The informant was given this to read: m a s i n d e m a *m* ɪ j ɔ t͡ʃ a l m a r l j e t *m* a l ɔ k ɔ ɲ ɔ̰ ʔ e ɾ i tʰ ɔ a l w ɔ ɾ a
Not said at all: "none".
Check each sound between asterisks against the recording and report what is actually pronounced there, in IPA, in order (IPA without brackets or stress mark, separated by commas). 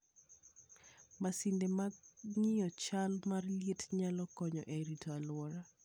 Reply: ŋ, ɲ